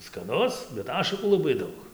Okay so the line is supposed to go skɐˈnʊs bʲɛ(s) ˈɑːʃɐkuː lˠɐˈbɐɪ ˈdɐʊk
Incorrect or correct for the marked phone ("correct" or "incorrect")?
incorrect